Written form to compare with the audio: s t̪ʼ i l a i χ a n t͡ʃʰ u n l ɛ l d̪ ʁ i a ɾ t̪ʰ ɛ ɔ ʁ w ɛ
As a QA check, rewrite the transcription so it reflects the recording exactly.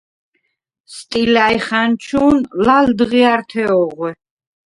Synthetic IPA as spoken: s t̪ʼ i l a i χ a n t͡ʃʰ u n l a l d̪ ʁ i a ɾ t̪ʰ ɛ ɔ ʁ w ɛ

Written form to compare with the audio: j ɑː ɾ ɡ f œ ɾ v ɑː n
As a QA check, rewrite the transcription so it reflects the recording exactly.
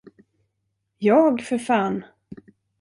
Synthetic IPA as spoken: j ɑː ɡ f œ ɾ f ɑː n

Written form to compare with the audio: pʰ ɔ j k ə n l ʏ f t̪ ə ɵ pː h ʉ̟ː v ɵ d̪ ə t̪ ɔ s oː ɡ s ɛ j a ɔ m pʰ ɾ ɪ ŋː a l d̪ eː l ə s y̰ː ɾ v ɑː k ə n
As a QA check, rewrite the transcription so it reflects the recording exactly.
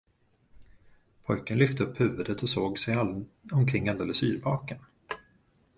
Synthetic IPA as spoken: pʰ ɔ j k ə n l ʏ f t̪ ə ɵ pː h ʉ̟ː v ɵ d̪ ə t̪ ɔ s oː ɡ s ɛ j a ɔ m kʰ ɾ ɪ ŋː a l d̪ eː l ə s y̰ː ɾ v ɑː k ə n

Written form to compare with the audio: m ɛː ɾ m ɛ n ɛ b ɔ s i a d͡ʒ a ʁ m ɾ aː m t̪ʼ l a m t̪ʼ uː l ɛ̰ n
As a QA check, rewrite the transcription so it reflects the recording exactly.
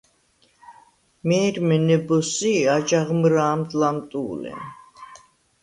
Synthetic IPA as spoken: m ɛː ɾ m ɛ n ɛ b ɔ s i a d͡ʒ a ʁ m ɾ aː m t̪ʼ l a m t̪ʼ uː l ɛ̰ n

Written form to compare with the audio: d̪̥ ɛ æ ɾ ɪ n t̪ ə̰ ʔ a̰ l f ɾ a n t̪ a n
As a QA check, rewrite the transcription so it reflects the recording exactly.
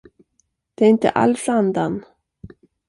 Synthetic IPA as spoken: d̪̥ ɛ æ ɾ ɪ n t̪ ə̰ ʔ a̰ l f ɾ a n d̪ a n

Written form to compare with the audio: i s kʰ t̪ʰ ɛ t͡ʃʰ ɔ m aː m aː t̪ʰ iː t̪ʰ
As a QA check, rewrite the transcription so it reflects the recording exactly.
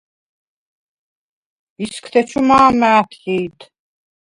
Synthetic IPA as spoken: i s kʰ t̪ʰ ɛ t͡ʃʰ u m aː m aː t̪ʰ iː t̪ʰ

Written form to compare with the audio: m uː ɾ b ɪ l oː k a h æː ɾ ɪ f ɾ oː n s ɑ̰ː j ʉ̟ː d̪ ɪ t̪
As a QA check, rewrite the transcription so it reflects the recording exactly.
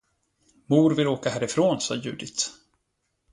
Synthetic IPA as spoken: m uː ɾ v ɪ l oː k a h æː ɾ ɪ f ɾ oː n s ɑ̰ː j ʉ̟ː d̪ ɪ t̪

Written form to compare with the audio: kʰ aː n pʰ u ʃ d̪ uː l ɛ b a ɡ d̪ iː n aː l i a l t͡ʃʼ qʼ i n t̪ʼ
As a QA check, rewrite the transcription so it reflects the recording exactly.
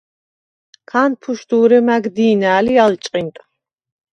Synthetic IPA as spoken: kʰ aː n pʰ u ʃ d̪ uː ɾ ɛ m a ɡ d̪ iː n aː l i a l t͡ʃʼ qʼ i n t̪ʼ

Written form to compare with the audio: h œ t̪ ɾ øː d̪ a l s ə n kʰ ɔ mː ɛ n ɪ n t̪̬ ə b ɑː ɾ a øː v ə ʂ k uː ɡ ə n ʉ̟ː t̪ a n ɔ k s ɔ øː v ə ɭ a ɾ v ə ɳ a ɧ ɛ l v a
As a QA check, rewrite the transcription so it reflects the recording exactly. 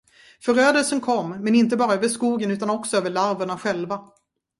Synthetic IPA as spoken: f œ ɾ øː d̪ ə l s ə n kʰ ɔ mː ɛ n ɪ n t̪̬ ə b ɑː ɾ a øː v ə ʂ k uː ɡ ə n ʉ̟ː t̪ a n ɔ k s ɔ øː v ə ɭ a ɾ v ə ɳ a ɧ ɛ l v a

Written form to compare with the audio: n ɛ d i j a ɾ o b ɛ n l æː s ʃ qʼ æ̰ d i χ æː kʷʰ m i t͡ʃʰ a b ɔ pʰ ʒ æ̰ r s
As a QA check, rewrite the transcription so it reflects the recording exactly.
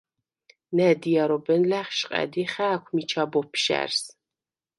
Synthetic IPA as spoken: n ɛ d i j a ɾ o b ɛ n l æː χ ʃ qʼ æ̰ d i χ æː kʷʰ m i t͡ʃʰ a b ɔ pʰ ʃ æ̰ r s

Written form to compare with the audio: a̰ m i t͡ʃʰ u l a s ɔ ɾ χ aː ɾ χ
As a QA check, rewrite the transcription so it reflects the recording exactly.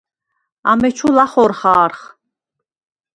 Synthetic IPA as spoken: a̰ m ɛ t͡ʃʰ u l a χ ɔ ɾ χ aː ɾ χ

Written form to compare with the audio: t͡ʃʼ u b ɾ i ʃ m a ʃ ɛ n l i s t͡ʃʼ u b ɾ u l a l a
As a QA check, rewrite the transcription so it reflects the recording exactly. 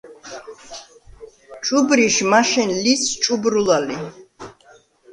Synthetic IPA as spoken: t͡ʃʼ u b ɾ i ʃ m a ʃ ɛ n l i s t͡ʃʼ u b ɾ u l a l i

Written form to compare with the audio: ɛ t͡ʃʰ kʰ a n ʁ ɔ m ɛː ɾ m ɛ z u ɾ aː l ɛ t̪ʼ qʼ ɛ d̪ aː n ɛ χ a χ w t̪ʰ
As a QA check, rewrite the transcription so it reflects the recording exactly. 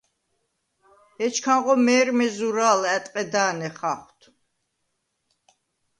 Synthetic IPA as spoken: ɛ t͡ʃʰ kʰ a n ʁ ɔ m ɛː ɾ m ɛ z u ɾ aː l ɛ t̪ʼ qʼ ɛ d̪ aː n ɛ χ a χ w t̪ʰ

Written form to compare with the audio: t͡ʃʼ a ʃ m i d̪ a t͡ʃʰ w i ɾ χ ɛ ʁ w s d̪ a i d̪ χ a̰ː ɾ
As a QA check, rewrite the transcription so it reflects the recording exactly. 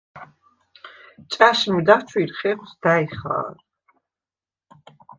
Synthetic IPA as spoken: t͡ʃʼ a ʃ m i d̪ a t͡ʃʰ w i ɾ χ ɛ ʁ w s d̪ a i χ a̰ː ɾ

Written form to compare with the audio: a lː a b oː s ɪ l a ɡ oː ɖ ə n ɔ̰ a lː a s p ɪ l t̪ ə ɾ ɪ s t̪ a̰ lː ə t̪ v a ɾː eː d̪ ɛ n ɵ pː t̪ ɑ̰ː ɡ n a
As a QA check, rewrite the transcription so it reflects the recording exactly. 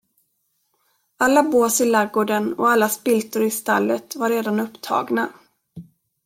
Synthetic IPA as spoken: a lː a b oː s ɪ l a ɡ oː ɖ ə n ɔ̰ a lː a s p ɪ l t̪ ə ɾ ɪ s t̪ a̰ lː ə t̪ v a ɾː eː d̪ a n ɵ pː t̪ʰ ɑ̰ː ɡ n a

